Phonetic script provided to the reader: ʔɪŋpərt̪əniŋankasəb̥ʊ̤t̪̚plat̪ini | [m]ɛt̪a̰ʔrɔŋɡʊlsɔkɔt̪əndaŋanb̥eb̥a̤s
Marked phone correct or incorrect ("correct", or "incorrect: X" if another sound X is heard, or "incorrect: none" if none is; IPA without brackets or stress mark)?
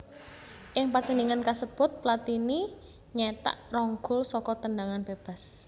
incorrect: ɲ